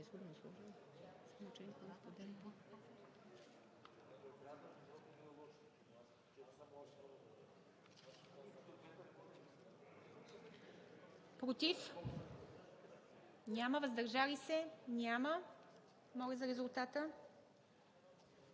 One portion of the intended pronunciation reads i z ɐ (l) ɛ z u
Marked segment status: incorrect: ɾ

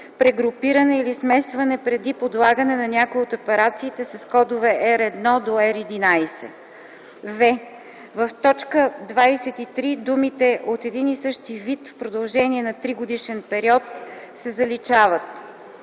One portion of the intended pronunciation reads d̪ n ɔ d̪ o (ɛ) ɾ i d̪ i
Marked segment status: correct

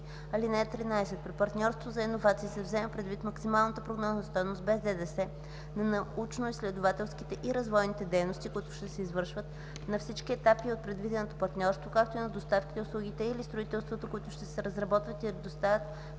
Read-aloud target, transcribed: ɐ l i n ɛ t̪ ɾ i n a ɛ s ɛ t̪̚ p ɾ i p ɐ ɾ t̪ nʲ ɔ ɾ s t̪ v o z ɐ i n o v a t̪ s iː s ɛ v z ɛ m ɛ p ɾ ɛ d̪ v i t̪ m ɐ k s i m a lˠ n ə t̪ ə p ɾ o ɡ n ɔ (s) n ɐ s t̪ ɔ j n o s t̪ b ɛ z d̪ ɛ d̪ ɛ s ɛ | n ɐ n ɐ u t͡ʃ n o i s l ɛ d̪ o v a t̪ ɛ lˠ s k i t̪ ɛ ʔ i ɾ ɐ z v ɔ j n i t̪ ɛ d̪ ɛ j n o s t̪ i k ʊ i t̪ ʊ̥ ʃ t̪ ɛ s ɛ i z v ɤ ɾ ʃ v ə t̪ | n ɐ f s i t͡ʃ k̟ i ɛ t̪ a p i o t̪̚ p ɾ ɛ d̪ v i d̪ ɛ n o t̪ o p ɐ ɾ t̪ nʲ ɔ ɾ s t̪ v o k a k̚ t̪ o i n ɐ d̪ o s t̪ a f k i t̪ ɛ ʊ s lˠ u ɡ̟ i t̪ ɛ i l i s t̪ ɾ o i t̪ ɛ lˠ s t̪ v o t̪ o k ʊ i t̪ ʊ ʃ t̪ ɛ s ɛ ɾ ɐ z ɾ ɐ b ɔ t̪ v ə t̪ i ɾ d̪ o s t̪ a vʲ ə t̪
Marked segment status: incorrect: z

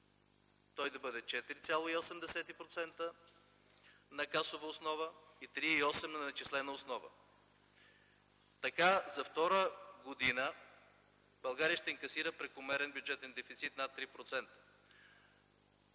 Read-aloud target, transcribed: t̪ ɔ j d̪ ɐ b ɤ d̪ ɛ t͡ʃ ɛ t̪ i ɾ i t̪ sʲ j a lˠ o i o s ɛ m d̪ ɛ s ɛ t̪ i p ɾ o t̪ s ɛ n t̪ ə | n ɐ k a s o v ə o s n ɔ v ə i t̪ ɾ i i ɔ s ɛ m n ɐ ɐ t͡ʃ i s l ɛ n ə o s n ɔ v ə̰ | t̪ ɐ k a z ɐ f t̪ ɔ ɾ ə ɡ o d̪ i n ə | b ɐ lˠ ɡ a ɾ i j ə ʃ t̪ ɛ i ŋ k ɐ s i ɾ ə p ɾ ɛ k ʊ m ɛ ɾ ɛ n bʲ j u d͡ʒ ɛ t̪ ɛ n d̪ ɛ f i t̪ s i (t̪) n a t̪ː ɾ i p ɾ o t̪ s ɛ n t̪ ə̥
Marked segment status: correct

